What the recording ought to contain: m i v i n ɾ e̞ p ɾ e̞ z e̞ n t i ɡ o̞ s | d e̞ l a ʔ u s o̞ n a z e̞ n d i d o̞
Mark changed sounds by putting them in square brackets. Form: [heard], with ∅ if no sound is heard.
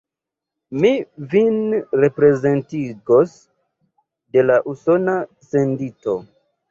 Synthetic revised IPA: m i v i n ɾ e̞ p ɾ e̞ z e̞ n t i ɡ o̞ s | d e̞ l a ʔ u s o̞ n a [s] e̞ n d i [t] o̞